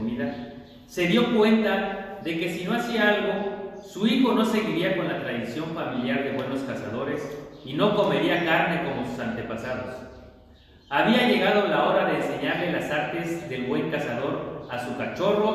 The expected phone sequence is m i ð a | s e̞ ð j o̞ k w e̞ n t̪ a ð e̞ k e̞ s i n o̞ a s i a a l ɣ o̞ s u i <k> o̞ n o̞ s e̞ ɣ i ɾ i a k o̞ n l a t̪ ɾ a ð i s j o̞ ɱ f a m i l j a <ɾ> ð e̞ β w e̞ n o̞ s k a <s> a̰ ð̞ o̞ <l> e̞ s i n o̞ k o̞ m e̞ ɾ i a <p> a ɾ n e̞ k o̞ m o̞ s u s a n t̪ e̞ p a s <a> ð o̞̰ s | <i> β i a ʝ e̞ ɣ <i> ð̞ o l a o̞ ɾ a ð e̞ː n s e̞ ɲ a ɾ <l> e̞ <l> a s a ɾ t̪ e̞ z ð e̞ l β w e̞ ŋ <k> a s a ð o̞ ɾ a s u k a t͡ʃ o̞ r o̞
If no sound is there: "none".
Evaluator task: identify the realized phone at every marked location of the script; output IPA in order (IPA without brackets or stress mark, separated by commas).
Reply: x, ɾ, s, ɾ, k, a, a, a, l, l, k